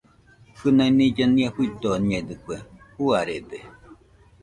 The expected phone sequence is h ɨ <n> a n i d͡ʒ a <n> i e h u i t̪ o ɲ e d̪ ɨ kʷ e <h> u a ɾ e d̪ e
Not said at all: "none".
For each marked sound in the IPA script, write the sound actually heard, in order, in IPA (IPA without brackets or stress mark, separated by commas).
n, n, h